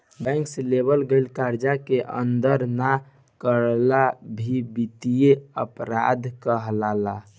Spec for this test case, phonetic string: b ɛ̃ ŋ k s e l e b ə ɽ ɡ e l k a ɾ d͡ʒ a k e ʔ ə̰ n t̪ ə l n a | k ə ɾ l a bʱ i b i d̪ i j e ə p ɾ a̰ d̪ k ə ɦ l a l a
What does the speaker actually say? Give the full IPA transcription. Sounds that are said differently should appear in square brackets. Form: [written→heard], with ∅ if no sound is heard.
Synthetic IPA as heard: b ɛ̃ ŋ k s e l e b ə [ɽ→l] ɡ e l k a ɾ d͡ʒ a k e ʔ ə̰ n [t̪→d̪] ə [l→ɾ] n a | k ə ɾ l a bʱ i b i [d̪→t̪] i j e ə p ɾ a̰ d̪ k ə ɦ l a l a